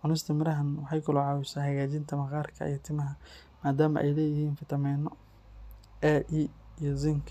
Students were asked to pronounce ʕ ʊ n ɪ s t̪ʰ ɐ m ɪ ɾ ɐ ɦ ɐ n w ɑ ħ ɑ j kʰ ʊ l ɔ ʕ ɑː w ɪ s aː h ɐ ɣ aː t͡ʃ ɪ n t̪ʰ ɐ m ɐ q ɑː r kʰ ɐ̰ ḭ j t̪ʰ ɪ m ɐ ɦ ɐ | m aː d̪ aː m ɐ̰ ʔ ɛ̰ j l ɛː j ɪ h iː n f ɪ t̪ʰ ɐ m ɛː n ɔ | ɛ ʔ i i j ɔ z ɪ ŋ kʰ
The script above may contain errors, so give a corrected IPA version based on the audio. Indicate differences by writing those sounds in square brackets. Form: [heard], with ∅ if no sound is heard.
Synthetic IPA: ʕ ʊ n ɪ s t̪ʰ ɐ m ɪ ɾ ɐ ɦ ɐ n w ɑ ħ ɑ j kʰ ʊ l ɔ ʕ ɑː w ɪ s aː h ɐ ɣ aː t͡ʃ ɪ n t̪ʰ ɐ m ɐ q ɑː r kʰ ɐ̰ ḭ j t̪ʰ ɪ m ɐ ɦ ɐ | m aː d̪ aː m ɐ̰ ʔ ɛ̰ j l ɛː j ɪ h iː n f ɪ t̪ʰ ɐ m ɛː n ɔ | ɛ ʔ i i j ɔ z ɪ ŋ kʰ